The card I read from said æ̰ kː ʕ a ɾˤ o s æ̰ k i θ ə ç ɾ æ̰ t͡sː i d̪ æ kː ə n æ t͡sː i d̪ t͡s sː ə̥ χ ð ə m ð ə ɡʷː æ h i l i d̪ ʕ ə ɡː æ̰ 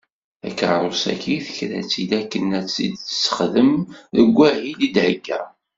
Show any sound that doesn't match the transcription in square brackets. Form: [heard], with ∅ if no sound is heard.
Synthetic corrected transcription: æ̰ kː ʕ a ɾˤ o s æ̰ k i θ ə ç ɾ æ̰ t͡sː i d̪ æ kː ə n æ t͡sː i d̪ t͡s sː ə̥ χ ð ə m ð ə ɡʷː æ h i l i d̪ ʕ ə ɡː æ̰